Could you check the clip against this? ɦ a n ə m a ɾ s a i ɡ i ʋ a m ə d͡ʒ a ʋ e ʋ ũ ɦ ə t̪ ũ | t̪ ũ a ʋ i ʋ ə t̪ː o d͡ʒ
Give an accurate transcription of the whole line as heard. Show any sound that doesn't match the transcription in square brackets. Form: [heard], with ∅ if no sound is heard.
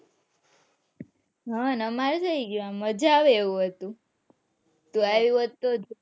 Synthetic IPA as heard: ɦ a n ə m a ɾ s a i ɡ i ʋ a m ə d͡ʒ a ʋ e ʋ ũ ɦ ə t̪ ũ | t̪ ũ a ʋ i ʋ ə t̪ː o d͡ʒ